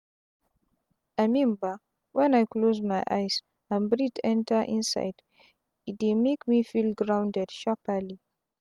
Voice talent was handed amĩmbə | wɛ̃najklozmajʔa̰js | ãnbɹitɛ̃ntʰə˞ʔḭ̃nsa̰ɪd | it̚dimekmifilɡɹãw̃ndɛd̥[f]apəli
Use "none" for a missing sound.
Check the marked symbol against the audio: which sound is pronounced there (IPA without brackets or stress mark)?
ʃ